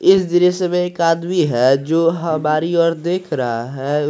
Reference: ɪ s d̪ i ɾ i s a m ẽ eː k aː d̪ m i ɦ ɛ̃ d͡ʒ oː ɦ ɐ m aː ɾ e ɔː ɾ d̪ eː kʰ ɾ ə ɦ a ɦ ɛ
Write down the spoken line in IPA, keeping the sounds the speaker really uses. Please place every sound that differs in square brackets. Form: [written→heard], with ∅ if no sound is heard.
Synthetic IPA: ɪ s d̪ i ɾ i s [a→e] m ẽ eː k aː d̪ m i ɦ [ɛ̃→ɛ] d͡ʒ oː ɦ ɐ m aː ɾ [e→i] ɔː ɾ d̪ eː kʰ ɾ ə ɦ a ɦ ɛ